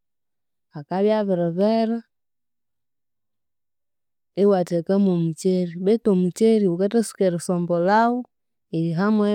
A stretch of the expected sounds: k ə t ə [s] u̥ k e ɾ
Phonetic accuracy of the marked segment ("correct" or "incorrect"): correct